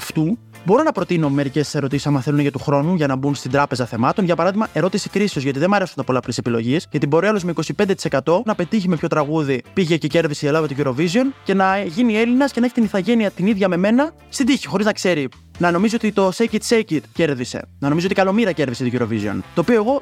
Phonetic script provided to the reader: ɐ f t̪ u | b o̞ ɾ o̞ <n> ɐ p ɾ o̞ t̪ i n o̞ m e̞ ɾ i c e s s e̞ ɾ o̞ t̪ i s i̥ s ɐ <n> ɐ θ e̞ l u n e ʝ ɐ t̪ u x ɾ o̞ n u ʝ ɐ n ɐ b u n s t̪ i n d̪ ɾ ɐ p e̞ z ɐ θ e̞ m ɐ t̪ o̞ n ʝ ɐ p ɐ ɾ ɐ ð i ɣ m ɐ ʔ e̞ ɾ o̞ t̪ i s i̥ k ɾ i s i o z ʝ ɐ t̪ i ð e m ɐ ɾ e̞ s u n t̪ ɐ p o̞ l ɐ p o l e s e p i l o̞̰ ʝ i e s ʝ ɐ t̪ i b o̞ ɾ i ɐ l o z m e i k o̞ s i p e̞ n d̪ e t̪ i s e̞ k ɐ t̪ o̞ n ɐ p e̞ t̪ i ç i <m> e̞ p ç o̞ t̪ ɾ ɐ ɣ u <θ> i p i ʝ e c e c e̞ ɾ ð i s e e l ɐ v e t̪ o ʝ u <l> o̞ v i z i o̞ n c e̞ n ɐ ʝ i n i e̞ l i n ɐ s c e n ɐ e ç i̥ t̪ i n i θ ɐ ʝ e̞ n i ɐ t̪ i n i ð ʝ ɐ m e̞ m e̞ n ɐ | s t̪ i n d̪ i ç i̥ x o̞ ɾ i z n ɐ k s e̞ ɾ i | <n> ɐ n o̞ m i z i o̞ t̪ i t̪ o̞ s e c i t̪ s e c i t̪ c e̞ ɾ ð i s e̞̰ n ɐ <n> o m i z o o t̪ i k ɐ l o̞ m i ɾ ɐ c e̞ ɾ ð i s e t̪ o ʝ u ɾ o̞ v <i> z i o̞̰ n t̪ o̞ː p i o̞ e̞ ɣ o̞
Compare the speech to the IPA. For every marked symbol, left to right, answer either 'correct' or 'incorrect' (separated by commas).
correct, incorrect, correct, incorrect, incorrect, correct, correct, correct